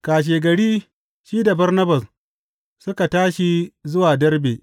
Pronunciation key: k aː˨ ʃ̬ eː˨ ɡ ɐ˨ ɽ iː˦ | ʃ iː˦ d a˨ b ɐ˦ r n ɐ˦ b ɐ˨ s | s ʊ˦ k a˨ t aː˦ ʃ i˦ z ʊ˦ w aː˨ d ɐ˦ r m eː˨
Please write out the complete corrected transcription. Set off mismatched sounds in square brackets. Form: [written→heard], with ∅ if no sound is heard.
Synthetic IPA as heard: k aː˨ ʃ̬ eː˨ ɡ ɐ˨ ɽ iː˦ | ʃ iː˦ d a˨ b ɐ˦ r n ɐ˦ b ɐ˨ s | s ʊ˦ k a˨ t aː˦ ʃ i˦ z ʊ˦ w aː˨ d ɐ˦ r [m→b] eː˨

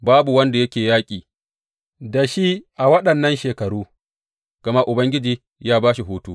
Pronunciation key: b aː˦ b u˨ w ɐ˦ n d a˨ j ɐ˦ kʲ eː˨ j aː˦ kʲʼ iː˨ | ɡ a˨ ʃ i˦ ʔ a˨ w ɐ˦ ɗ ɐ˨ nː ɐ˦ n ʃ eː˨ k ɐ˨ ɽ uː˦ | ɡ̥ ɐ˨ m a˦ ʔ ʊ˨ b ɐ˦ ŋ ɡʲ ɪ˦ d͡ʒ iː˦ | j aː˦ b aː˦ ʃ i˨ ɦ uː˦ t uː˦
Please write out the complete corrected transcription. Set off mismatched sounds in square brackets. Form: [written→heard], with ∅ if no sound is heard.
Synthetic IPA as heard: b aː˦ b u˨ w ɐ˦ n d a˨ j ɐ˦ kʲ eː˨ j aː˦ kʲʼ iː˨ | [ɡ→d] a˨ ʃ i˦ ʔ a˨ w ɐ˦ ɗ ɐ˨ nː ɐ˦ n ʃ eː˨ k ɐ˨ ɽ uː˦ | ɡ̥ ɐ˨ m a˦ ʔ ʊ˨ b ɐ˦ ŋ ɡʲ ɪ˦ d͡ʒ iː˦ | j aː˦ b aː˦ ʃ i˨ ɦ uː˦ t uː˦

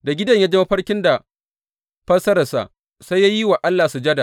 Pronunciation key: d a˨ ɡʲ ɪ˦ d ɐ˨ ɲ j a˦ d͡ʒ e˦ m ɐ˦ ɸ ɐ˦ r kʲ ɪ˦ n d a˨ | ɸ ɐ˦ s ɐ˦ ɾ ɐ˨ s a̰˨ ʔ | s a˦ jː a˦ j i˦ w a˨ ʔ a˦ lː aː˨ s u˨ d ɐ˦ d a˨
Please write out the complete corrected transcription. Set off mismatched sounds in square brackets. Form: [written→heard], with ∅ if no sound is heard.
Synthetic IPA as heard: d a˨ ɡʲ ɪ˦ d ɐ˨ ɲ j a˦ d͡ʒ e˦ m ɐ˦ ɸ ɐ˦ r kʲ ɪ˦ n d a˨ | ɸ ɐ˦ s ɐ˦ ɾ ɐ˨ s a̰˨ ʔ | s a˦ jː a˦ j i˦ w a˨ ʔ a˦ lː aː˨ s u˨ [d→d͡ʒ] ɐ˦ d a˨

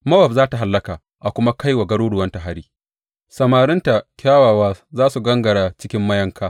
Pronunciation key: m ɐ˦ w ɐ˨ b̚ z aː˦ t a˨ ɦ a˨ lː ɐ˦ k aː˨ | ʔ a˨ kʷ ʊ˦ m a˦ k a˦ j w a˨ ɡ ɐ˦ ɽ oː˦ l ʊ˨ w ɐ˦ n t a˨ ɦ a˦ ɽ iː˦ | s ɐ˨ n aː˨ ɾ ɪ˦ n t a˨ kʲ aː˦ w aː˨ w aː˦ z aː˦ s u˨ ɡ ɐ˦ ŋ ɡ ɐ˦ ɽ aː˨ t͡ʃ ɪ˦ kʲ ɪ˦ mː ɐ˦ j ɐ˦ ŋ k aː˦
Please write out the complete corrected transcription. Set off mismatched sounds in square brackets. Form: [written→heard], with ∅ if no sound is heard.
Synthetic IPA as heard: m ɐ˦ w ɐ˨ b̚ z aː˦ t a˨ ɦ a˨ lː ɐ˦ k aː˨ | ʔ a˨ kʷ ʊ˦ m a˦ k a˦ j w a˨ ɡ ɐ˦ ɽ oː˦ [l→ɽ] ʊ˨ w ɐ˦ n t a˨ ɦ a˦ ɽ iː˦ | s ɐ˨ [n→m] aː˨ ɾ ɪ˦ n t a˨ kʲ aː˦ w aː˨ w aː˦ z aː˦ s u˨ ɡ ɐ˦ ŋ ɡ [ɐ˦→ɐ˨] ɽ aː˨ t͡ʃ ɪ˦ kʲ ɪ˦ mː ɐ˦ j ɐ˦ ŋ k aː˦

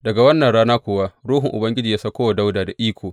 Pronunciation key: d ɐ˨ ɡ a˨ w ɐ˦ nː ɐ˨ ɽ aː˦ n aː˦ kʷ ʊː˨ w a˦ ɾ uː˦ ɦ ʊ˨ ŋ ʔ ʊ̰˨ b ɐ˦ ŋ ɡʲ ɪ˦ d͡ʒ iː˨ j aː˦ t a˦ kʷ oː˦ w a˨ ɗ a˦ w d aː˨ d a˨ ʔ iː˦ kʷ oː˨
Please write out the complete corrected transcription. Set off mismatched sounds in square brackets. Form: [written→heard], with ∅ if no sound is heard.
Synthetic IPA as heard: d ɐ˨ ɡ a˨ w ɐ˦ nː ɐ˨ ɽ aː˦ n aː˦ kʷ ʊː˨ w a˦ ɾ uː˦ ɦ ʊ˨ ŋ ʔ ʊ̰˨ b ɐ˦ ŋ ɡʲ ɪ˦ d͡ʒ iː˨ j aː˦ [t→s] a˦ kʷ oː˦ w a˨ [ɗ→d] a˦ w d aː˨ d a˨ ʔ iː˦ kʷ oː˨

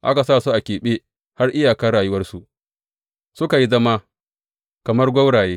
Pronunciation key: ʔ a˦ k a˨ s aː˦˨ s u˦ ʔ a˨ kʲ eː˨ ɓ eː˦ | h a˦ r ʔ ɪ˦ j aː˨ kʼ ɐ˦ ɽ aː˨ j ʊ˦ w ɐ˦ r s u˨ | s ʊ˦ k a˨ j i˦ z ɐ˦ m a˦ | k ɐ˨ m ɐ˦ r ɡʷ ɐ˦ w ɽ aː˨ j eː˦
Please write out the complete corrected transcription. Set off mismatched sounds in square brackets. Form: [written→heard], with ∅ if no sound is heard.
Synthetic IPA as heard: ʔ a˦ k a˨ s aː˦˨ s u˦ ʔ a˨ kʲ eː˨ ɓ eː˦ | h a˦ r ʔ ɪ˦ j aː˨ [kʼ→k] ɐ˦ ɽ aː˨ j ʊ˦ w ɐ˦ r s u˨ | s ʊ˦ k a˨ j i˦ z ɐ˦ m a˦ | k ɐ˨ m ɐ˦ r ɡʷ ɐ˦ w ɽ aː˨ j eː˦

